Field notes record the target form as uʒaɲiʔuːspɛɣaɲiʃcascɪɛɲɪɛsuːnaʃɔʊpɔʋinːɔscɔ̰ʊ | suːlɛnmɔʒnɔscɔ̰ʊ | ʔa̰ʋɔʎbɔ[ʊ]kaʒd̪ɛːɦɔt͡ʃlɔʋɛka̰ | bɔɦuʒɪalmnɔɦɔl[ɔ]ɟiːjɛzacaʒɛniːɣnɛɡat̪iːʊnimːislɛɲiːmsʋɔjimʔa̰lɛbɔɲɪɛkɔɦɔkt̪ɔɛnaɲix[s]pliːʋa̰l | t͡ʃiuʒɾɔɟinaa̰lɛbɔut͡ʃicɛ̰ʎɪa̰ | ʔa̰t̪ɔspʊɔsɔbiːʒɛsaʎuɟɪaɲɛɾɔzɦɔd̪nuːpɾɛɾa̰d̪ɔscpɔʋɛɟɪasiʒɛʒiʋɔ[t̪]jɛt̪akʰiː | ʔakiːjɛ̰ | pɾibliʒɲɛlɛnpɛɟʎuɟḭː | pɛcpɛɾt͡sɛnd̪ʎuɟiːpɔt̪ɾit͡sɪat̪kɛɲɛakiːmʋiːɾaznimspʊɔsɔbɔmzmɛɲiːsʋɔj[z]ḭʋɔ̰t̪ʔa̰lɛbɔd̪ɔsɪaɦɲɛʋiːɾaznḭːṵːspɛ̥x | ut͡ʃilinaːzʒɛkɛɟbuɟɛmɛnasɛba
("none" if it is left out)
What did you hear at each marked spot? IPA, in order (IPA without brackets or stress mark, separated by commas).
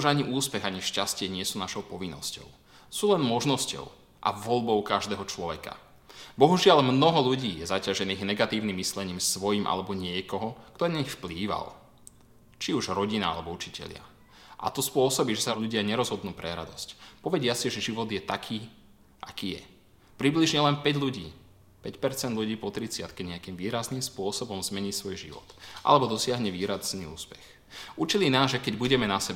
ʊ, u, f, d̪, ʒ